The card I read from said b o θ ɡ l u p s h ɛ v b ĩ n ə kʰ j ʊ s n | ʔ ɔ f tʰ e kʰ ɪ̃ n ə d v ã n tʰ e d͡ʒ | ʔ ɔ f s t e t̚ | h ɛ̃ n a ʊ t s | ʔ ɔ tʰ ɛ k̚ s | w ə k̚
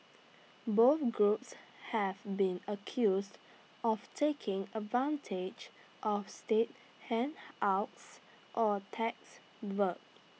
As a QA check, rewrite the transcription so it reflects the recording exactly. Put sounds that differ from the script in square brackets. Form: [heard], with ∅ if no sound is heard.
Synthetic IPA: b o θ ɡ [ɹ] u p s h ɛ v b ĩ n ə kʰ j [u] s [d] | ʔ ɔ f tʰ e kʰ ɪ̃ [ŋ] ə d v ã n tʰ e d͡ʒ | ʔ ɔ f s t e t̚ | h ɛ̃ n a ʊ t s | ʔ ɔ tʰ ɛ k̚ s | w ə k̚